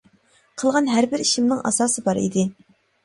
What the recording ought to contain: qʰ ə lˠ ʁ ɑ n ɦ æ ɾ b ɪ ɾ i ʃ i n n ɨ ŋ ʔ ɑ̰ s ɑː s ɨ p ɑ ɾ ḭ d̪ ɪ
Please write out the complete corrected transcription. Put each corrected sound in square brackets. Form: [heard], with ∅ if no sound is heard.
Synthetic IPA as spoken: qʰ ə lˠ ʁ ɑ n ɦ æ ɾ b ɪ ɾ i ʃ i [m] n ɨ ŋ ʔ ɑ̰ s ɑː s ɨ [b] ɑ ɾ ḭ d̪ ɪ